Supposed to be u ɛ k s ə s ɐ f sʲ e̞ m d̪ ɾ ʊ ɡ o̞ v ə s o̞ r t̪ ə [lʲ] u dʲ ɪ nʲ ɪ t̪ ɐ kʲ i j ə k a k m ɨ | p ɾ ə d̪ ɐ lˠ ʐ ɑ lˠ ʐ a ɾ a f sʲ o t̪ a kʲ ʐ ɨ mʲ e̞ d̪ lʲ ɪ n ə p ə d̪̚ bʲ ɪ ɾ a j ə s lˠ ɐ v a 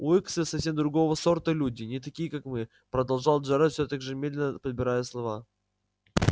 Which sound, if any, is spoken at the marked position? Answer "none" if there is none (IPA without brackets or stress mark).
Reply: lʲ